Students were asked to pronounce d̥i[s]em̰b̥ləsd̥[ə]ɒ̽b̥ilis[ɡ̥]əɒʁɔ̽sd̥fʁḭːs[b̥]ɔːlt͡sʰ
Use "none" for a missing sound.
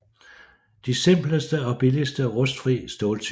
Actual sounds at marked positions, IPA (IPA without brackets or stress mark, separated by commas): s, ə, d̥, d̥